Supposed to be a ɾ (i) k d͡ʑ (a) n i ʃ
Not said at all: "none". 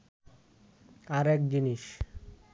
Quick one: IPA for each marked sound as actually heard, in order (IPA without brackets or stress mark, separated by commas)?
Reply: ɛ, i